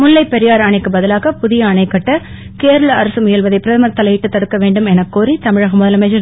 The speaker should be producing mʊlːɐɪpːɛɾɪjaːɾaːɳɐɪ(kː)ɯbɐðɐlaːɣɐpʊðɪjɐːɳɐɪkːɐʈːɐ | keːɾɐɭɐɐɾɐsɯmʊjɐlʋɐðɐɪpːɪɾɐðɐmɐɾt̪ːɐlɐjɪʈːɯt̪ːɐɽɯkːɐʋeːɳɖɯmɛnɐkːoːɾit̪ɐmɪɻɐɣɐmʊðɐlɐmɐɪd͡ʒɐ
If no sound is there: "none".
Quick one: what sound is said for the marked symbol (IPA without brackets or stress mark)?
kː